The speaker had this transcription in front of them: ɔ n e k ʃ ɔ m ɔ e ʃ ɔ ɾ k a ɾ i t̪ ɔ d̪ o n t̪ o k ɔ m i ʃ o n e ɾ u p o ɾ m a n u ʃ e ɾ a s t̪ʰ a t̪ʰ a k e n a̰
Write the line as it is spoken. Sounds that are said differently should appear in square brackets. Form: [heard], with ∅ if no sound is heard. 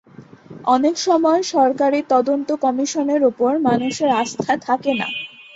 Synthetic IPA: ɔ n e k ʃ ɔ m ɔ e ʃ ɔ ɾ k a ɾ i t̪ ɔ d̪ o n t̪ o k ɔ m i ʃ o n e ɾ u p o ɾ m a n u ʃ e ɾ a s t̪ʰ a t̪ʰ a k e n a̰